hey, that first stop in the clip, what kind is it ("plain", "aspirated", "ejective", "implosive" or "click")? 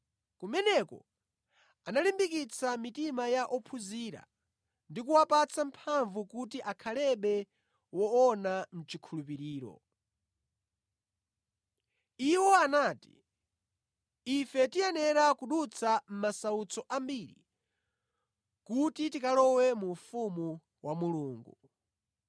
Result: plain